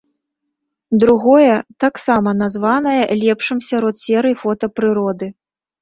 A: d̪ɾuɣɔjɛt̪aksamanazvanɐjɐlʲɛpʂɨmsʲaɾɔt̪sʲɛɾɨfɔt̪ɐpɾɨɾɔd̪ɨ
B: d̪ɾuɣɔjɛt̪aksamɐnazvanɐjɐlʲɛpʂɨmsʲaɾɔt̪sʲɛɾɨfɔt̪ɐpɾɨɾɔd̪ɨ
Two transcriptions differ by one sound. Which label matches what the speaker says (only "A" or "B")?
B